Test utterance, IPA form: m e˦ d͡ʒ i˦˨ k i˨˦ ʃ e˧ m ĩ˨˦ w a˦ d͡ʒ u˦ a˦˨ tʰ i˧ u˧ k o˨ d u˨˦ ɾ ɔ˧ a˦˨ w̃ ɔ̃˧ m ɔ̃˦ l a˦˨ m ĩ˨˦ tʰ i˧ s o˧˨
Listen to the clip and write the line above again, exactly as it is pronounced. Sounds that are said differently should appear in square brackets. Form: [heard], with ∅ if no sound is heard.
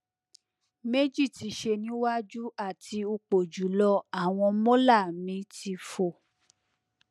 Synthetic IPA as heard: m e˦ d͡ʒ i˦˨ [t] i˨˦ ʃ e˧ [n] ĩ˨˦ w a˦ d͡ʒ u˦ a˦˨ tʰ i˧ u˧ [k͡p] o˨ [d͡ʒ] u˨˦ [l] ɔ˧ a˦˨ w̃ ɔ̃˧ m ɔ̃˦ l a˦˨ m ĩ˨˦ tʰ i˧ [f] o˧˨